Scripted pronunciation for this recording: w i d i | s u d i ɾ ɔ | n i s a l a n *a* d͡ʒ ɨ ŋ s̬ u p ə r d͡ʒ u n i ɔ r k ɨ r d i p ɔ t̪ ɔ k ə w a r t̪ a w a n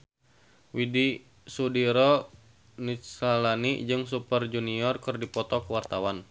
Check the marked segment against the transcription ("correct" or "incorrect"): incorrect